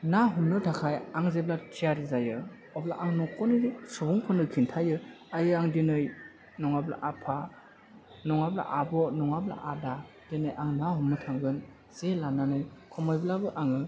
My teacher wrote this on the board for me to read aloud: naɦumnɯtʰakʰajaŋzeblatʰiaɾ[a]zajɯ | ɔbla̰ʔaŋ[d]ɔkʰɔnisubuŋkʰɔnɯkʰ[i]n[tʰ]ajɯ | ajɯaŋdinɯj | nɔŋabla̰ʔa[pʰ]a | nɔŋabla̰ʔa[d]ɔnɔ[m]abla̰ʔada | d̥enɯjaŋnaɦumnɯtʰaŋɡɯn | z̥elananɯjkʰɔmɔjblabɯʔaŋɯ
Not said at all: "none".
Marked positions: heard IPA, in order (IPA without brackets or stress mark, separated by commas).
i, n, i, tʰ, pʰ, b, ŋ